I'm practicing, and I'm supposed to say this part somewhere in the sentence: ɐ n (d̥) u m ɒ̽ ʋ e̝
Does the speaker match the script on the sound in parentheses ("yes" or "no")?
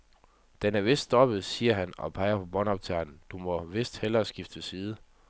yes